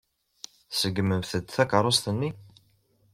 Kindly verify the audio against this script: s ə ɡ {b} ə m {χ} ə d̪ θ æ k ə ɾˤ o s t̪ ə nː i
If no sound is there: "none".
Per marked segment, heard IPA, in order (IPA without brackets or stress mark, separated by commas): m, θ